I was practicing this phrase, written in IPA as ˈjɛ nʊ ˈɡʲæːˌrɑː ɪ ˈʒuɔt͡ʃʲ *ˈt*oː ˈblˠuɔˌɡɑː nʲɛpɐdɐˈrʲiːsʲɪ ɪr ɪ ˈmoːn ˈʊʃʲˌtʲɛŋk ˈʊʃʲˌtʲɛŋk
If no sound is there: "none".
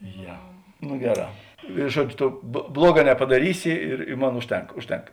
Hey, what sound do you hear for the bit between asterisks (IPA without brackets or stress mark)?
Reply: t